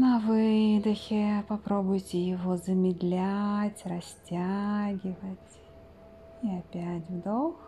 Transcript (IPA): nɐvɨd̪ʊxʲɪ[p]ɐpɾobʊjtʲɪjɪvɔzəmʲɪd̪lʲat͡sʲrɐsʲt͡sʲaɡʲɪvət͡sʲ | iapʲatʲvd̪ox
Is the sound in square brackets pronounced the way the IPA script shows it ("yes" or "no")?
yes